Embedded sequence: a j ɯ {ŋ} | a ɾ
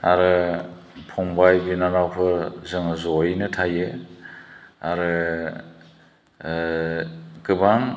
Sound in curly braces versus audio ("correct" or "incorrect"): incorrect